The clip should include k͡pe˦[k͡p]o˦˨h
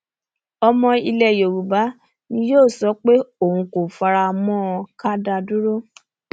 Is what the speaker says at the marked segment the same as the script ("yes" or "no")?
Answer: no